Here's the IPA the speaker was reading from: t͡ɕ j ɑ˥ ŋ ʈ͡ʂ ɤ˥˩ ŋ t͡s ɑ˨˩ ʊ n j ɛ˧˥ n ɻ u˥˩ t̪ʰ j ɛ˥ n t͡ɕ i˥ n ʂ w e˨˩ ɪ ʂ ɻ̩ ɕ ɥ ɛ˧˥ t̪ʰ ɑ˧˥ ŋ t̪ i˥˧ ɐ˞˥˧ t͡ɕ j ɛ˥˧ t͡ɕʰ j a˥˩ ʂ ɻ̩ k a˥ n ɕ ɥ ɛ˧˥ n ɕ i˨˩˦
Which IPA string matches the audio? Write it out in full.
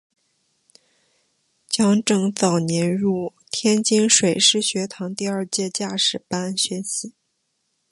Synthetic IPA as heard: t͡ɕ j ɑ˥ ŋ ʈ͡ʂ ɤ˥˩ ŋ t͡s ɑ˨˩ ʊ n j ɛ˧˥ n ɻ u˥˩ t̪ʰ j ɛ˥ n t͡ɕ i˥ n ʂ w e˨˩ ɪ ʂ ɻ̩ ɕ ɥ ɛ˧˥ t̪ʰ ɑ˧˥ ŋ t̪ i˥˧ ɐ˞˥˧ t͡ɕ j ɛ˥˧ t͡ɕ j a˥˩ ʂ ɻ̩ p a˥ n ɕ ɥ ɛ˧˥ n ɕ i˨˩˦